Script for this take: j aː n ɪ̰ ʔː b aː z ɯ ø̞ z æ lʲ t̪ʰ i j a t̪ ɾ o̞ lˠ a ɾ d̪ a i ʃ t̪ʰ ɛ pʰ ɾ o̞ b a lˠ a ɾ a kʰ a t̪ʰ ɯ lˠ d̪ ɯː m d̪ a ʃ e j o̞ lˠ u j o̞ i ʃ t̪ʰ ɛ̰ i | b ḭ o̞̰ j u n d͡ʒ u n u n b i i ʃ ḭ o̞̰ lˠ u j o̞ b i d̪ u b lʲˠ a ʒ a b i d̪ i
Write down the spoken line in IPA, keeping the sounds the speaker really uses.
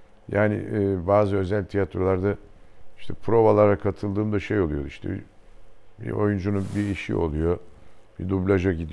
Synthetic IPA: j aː n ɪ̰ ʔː b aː z ɯ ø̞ z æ lʲ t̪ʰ i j a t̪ ɾ o̞ lˠ a ɾ d̪ a i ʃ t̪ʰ ɛ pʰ ɾ o̞ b a lˠ a ɾ a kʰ a t̪ʰ ɯ lˠ d̪ ɯː m d̪ a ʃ e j o̞ lˠ u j o̞ i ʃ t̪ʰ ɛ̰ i | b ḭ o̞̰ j u n d͡ʒ u n u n b i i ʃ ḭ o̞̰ lˠ u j o̞ b i d̪ u b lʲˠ a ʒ a ɟ i d̪ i